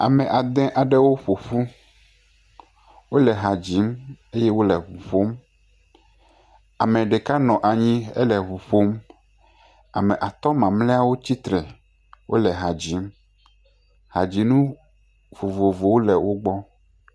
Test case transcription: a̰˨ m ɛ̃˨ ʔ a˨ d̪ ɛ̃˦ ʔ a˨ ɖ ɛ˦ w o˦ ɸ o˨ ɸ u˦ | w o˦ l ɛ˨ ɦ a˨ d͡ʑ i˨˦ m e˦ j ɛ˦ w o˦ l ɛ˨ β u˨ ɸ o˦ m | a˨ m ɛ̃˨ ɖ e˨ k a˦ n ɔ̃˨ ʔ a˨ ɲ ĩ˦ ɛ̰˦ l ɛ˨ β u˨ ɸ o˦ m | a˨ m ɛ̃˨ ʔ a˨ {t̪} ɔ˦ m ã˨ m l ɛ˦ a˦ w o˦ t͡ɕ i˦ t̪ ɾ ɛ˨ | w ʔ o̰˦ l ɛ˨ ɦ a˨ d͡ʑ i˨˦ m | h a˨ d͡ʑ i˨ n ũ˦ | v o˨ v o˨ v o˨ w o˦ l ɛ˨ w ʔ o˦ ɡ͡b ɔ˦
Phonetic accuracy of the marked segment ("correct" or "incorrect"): correct